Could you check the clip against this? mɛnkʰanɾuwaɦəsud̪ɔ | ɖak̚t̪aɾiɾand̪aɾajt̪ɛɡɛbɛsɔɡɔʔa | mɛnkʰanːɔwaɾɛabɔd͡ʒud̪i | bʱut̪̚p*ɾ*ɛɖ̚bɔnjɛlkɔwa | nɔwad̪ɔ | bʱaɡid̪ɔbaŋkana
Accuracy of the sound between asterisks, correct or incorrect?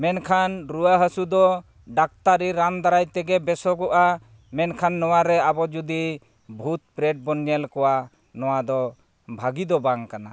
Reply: correct